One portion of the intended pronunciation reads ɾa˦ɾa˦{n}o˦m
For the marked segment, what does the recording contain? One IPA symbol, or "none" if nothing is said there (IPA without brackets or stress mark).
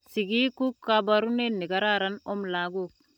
n